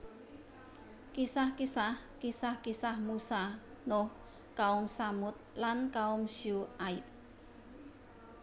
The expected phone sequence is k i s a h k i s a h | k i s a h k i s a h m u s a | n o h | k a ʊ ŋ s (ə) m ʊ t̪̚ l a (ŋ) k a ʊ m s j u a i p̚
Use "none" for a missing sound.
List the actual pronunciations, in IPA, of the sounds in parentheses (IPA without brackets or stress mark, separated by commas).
a, n